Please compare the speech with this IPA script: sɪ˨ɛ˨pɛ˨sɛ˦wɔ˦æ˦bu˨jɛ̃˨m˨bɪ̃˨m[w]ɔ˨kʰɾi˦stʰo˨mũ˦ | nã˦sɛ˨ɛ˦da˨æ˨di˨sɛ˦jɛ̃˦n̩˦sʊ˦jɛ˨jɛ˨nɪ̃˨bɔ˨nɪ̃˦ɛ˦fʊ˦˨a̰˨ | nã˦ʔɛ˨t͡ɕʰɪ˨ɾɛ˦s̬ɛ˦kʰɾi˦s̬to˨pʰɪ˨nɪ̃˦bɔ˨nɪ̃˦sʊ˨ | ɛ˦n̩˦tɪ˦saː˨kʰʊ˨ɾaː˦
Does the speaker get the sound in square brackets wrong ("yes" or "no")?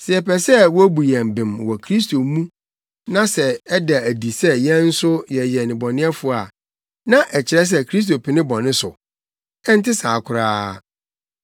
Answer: no